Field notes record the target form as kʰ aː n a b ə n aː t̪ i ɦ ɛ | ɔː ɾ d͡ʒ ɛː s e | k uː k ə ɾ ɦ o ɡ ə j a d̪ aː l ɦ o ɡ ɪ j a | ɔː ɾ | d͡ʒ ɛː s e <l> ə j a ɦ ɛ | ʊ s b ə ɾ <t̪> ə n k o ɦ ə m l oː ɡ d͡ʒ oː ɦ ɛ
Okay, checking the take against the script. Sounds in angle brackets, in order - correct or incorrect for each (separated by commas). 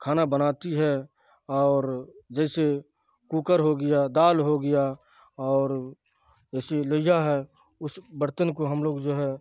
correct, correct